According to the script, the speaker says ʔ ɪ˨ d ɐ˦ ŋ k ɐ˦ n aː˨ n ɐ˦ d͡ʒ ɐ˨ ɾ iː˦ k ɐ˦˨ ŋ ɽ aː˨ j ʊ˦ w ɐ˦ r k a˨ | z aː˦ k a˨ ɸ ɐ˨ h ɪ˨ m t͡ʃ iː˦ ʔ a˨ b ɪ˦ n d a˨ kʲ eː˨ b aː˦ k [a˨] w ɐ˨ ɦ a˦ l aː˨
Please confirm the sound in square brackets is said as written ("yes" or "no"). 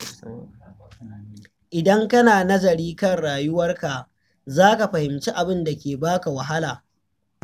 yes